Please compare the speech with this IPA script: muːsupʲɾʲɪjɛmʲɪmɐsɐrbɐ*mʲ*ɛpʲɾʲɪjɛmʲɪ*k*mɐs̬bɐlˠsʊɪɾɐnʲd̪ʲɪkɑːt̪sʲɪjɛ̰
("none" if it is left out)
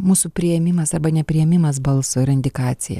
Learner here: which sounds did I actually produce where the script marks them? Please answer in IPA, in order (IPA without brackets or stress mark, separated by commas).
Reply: nʲ, none